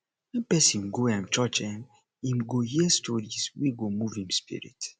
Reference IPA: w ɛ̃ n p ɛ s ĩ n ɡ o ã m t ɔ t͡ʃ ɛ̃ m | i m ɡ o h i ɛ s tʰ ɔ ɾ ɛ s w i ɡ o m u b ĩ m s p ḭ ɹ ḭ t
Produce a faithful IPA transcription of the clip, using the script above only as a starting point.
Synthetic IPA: w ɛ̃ n p ɛ s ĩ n ɡ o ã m t͡ʃ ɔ t͡ʃ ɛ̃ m | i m ɡ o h i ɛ s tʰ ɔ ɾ i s w i ɡ o m u v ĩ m s p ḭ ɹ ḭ t